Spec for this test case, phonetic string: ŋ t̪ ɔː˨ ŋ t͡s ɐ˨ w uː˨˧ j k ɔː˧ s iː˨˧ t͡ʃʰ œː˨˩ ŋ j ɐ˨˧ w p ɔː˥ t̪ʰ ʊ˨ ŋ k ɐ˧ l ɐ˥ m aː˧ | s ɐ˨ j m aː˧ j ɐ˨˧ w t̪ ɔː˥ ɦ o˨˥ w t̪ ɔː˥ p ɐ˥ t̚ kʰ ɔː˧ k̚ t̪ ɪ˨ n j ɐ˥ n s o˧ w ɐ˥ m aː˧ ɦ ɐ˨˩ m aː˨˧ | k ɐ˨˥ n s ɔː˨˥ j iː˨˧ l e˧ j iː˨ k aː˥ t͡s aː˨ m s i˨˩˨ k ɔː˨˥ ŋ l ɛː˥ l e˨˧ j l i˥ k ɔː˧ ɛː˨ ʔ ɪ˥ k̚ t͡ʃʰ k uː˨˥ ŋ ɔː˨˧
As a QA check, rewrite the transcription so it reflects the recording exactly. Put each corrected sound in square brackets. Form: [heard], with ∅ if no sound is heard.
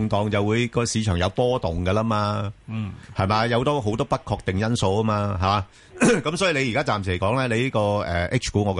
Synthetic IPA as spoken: ŋ t̪ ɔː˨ ŋ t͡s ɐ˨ w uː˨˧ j k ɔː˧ s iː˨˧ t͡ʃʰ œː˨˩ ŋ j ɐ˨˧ w p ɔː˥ [t̪] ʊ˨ ŋ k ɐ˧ l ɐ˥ m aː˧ | [h] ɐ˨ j m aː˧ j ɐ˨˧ w t̪ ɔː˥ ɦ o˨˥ w t̪ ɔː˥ p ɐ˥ t̚ kʰ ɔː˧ k̚ t̪ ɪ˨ [ŋ] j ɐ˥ n s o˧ w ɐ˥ m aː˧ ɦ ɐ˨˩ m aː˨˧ | k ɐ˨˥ [m] s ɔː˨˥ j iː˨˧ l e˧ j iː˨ k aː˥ t͡s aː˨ m s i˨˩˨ k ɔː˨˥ ŋ l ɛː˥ l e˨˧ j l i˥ k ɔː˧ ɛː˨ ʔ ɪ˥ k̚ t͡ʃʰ k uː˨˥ ŋ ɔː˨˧